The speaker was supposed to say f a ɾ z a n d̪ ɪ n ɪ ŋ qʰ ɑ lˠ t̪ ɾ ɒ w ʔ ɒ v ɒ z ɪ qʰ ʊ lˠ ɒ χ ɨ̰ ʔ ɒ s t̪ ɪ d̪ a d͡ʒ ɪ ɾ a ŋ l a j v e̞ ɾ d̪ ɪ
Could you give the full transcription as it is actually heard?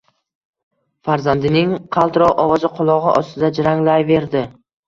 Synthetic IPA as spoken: f a ɾ z a n d̪ ɪ n ɪ ŋ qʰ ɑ lˠ t̪ ɾ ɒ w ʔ ɒ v ɒ z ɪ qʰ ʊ lˠ ɒ ʁ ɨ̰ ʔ ɒ s t̪ ɪ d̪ a d͡ʒ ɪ ɾ a ŋ l a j v e̞ ɾ d̪ ɪ